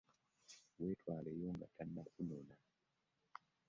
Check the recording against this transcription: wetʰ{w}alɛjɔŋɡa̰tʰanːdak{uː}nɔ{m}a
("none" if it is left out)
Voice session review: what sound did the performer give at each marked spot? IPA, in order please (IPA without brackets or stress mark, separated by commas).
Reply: w, u, n